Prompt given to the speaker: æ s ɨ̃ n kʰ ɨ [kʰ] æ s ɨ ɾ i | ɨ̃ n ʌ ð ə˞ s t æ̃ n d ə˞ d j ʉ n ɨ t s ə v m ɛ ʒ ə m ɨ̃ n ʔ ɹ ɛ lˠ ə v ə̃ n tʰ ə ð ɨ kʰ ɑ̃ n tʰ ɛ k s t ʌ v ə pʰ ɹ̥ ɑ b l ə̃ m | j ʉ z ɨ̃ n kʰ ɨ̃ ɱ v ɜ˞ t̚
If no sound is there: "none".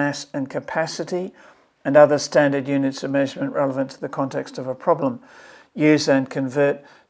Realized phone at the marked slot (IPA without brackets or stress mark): pʰ